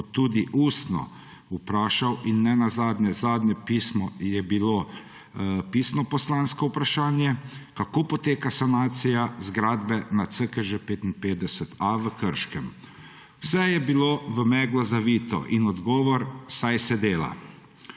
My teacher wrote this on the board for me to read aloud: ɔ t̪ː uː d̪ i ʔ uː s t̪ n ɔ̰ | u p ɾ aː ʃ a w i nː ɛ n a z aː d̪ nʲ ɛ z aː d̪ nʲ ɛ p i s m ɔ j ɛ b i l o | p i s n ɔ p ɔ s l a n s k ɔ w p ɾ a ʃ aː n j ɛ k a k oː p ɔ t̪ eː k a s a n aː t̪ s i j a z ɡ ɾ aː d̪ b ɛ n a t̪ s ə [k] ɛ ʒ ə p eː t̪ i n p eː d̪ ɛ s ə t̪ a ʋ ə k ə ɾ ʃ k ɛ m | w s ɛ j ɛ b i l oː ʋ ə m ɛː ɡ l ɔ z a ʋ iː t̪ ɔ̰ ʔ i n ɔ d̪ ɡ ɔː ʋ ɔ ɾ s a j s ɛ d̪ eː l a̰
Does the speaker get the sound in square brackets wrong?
no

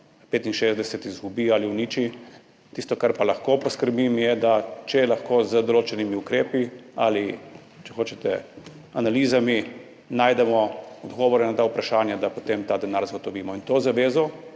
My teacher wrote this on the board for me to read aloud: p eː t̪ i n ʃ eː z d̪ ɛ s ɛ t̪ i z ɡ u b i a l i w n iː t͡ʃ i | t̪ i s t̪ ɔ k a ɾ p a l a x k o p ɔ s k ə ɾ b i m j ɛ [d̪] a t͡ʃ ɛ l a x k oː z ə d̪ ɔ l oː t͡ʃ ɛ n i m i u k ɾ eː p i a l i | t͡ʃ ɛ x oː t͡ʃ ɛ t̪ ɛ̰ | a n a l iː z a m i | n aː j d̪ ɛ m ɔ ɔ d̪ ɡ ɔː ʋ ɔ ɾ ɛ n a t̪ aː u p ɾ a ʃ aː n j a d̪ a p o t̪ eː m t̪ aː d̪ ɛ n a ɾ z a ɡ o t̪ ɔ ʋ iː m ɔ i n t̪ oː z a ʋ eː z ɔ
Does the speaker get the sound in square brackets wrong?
no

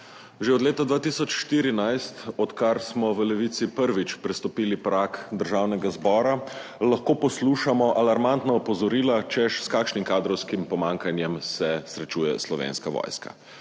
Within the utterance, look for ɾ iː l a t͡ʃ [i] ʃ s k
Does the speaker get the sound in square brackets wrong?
yes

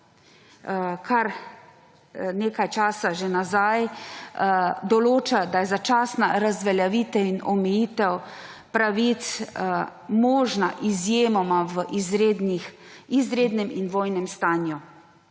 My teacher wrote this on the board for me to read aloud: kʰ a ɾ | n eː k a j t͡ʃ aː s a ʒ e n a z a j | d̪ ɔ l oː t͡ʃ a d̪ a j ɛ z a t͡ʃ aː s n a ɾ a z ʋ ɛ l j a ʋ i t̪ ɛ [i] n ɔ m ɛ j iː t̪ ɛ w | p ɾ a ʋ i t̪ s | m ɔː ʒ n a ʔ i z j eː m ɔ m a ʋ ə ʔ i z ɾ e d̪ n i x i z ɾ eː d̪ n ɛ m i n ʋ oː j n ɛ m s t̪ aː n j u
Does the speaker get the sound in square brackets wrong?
no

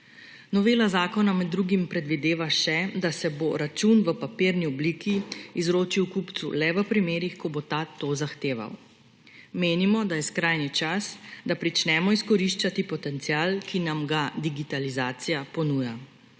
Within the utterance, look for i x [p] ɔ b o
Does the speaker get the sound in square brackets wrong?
yes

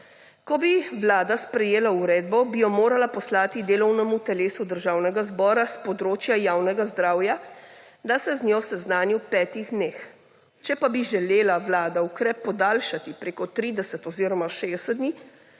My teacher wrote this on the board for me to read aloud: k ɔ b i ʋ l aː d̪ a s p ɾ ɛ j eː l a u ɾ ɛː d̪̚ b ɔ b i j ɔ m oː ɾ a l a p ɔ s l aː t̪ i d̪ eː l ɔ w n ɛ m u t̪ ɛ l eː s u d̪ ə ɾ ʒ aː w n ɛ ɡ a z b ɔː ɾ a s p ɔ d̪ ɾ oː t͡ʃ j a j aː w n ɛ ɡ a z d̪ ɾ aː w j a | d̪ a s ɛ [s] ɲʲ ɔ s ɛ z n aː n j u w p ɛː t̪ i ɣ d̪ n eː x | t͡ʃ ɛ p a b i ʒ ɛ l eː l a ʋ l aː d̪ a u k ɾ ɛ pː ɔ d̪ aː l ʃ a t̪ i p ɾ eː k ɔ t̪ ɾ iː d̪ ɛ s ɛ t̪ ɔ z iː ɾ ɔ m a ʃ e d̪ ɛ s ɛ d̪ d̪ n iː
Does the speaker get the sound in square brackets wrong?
yes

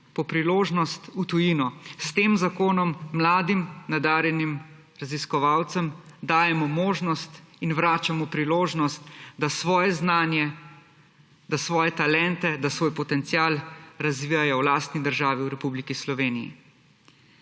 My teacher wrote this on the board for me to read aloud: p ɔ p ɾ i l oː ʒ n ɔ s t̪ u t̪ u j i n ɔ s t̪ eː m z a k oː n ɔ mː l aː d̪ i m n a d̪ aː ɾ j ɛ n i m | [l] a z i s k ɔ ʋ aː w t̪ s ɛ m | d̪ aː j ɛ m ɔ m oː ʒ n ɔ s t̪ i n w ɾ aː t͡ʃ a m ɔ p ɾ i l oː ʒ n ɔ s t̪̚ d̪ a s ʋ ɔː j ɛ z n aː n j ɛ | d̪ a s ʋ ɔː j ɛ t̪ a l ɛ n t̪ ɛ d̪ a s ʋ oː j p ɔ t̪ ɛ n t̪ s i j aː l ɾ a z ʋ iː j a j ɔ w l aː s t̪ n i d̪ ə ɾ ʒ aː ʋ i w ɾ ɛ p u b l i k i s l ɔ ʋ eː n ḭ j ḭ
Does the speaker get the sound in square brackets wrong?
yes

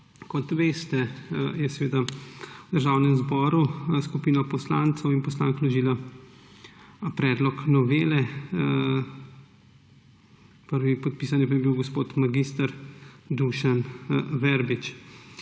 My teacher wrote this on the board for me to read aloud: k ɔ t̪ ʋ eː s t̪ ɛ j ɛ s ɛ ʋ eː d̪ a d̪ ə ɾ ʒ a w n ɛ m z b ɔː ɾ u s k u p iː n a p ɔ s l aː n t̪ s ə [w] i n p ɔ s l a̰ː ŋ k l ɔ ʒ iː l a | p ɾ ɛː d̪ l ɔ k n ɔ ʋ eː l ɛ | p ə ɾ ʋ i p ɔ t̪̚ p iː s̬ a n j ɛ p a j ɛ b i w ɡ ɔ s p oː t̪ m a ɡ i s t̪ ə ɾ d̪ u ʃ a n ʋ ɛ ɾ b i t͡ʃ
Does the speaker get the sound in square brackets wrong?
no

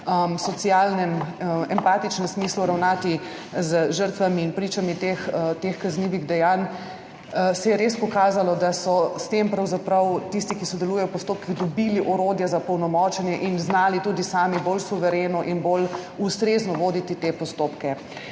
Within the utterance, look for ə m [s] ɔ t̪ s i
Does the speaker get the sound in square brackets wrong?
no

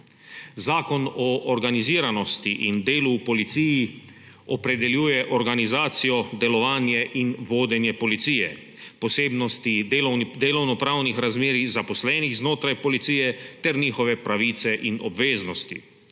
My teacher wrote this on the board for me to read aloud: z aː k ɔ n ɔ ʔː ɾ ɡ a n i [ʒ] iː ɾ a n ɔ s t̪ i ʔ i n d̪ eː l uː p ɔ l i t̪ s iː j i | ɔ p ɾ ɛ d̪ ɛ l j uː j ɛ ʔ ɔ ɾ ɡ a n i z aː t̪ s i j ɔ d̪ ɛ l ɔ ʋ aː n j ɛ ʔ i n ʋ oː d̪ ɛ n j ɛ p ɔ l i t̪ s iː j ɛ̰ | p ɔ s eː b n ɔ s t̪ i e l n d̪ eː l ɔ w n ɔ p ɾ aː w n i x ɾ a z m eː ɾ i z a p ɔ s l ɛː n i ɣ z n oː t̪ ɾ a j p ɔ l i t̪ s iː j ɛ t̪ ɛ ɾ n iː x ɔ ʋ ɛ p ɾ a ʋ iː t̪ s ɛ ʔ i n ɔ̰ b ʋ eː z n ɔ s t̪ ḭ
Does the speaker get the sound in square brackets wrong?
yes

